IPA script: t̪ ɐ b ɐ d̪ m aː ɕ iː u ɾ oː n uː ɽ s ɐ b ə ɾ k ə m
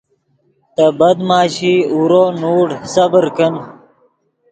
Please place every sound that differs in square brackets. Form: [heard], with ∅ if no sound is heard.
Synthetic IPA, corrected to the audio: t̪ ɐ b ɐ d̪ m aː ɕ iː u ɾ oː n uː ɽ s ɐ b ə ɾ k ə [n]